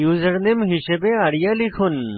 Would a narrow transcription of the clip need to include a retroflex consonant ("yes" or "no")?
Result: yes